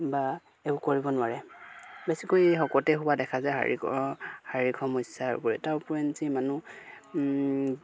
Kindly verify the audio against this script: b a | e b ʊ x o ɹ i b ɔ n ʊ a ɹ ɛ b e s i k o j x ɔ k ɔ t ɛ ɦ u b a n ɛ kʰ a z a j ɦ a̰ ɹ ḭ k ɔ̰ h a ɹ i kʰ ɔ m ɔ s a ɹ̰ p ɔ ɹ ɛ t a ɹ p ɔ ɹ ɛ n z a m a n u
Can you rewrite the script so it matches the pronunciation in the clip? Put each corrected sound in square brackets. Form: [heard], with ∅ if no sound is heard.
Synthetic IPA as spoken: b a | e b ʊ [k] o ɹ i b ɔ n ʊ a ɹ ɛ b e s i k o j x ɔ k ɔ t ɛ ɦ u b a [d] ɛ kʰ a z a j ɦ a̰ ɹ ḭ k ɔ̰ h a ɹ i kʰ ɔ m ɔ s a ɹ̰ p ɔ ɹ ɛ t a ɹ p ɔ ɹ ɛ n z [i] m a n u